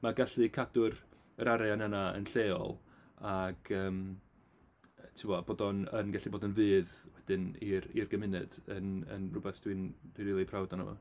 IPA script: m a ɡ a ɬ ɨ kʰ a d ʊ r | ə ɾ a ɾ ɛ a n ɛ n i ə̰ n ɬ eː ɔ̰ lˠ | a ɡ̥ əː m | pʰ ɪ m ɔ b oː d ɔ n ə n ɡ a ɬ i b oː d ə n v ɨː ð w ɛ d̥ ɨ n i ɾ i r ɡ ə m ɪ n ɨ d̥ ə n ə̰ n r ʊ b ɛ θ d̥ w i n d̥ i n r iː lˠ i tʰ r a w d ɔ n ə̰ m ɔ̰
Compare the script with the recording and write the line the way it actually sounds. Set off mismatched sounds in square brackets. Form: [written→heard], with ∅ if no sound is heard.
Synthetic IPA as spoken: m a ɡ a ɬ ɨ kʰ a d ʊ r | ə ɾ a ɾ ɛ a n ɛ n [i→a] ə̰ n ɬ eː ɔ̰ lˠ | a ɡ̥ əː m | [pʰ→tʰ] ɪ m ɔ b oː d ɔ n ə n ɡ a ɬ i b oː d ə n v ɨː ð w ɛ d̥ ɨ n i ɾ i r ɡ ə m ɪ n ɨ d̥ ə n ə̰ n r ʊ b ɛ θ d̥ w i n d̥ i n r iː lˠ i [tʰ→pʰ] r a w d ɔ n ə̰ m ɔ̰